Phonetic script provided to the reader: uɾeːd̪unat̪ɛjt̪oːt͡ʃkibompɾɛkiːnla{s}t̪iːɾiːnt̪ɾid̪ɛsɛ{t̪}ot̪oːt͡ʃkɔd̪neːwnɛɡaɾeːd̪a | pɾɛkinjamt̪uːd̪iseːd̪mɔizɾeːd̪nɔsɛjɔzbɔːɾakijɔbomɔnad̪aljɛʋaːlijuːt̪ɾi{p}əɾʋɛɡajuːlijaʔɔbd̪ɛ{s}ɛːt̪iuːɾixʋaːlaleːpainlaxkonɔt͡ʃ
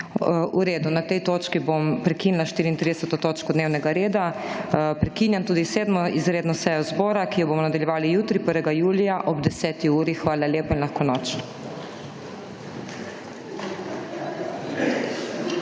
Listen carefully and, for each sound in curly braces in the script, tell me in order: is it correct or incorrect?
incorrect: ʃ, correct, correct, correct

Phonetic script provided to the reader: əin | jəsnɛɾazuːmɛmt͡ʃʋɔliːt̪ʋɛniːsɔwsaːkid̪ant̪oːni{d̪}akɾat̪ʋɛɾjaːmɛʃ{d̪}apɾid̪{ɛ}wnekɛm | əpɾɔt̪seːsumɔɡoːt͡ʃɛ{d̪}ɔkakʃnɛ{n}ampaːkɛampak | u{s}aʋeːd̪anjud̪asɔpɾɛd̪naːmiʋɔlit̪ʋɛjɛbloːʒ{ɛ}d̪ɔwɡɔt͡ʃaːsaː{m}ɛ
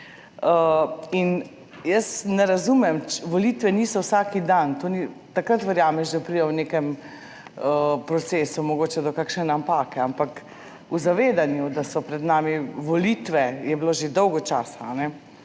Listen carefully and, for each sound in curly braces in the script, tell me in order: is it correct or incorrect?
incorrect: t̪, correct, correct, correct, correct, incorrect: z, incorrect: e, incorrect: n

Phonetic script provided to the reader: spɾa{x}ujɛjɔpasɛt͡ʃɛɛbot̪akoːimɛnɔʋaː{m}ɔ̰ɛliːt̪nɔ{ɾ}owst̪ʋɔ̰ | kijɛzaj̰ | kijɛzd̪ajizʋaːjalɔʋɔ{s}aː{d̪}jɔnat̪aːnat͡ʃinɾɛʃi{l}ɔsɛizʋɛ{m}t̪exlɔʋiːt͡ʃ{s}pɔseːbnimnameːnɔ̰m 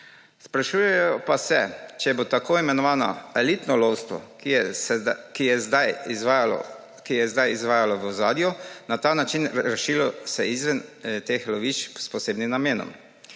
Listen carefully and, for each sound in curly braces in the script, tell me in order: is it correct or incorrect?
incorrect: ʃ, incorrect: n, incorrect: l, incorrect: z, correct, correct, incorrect: n, correct

